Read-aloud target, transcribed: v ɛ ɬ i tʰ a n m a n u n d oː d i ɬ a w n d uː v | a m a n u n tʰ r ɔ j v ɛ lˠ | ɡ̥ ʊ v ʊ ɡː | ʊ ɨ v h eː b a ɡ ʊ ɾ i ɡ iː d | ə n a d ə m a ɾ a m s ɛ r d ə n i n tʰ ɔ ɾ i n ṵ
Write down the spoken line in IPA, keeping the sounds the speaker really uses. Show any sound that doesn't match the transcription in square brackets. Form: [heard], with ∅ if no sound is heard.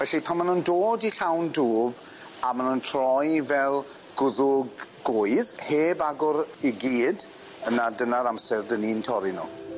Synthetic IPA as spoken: v ɛ ɬ i [pʰ] a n m a n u n d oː d i ɬ a w n d uː v | a m a n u n tʰ r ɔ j v ɛ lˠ | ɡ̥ ʊ [ð] ʊ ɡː | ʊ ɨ [ð] h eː b a ɡ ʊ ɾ i ɡ iː d | ə n a d ə [n] a ɾ a m s ɛ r d ə n i n tʰ ɔ ɾ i n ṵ